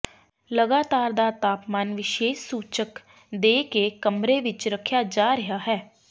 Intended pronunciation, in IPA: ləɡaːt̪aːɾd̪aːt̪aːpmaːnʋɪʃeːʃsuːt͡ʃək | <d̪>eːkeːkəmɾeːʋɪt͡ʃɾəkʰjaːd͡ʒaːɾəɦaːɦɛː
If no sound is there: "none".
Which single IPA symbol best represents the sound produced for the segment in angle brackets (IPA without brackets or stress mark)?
d̪